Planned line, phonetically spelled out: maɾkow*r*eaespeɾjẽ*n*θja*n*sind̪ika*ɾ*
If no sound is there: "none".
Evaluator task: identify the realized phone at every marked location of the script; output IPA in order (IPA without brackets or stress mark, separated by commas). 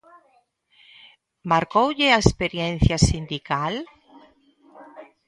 ʎ, n, none, l